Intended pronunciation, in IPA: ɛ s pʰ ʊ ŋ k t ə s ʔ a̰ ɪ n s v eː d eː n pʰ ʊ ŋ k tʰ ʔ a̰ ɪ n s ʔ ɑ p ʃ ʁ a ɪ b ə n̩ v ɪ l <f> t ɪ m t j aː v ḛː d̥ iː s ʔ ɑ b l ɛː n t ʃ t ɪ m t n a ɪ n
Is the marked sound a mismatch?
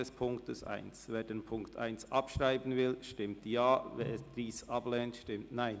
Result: yes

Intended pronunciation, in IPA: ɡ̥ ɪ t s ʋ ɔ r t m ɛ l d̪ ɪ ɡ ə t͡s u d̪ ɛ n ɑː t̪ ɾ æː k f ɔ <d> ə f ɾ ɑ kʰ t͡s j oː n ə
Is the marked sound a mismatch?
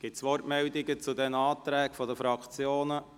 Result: no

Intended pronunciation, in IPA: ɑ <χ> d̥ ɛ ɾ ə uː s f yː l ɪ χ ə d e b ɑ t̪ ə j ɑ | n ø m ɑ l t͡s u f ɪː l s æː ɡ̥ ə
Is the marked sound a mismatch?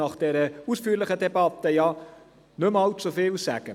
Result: no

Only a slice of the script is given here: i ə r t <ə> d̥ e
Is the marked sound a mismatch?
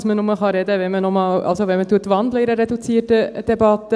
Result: no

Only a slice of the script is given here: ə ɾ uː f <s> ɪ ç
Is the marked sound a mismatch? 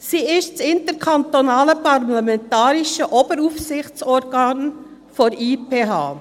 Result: no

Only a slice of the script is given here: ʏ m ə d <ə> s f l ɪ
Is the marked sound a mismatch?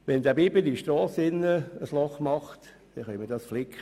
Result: yes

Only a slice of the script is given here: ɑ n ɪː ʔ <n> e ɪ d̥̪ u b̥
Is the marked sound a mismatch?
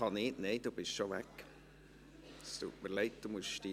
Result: no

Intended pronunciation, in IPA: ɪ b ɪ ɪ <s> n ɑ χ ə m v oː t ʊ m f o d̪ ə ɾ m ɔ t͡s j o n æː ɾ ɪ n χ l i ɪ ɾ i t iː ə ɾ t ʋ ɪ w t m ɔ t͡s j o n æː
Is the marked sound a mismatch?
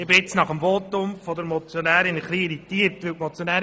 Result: yes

